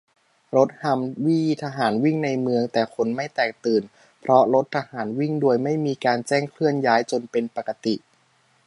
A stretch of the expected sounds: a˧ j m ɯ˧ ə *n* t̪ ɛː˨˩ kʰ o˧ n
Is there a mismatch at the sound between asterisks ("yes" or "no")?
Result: yes